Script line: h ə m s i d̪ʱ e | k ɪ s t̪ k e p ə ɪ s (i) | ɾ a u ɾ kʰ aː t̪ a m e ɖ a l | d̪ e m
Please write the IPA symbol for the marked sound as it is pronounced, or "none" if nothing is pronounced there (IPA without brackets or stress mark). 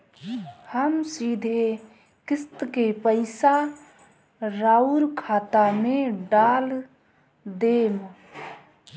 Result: a